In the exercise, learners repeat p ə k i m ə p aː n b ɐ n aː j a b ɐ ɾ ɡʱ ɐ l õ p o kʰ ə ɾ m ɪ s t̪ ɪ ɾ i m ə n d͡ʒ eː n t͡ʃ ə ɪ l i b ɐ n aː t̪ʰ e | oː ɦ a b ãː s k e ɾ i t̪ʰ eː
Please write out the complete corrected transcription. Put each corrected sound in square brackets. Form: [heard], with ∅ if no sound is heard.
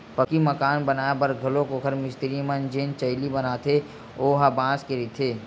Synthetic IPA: p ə k i m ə [k] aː n b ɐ n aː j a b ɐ ɾ ɡʱ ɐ l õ [k] o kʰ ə ɾ m ɪ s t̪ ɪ ɾ i m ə n d͡ʒ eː n t͡ʃ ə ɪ l i b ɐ n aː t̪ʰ e | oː ɦ a b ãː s k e ɾ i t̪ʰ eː